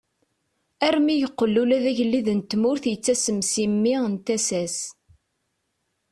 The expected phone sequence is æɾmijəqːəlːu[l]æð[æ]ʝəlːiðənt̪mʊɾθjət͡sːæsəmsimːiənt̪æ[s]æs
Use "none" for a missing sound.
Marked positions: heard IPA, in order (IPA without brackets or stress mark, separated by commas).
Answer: l, æ, s